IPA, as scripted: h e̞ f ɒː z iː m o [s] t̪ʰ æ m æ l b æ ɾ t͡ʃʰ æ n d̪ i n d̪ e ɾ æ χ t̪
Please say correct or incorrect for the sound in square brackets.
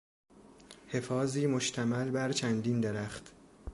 incorrect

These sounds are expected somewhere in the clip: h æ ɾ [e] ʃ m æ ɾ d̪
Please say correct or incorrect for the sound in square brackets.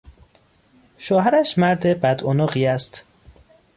incorrect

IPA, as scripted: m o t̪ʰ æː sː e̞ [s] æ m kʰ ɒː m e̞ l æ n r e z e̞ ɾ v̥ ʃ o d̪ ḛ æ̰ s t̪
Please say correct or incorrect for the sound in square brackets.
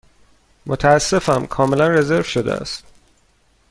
incorrect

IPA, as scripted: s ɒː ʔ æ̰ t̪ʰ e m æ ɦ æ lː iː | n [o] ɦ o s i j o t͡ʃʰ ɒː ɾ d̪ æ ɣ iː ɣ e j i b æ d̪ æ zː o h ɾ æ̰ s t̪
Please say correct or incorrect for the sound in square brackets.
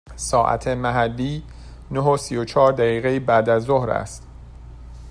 correct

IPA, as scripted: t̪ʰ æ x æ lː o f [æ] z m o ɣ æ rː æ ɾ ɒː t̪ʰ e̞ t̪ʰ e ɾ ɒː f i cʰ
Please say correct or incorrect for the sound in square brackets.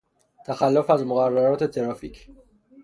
correct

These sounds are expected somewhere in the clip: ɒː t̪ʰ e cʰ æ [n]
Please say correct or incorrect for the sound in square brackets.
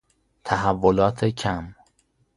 incorrect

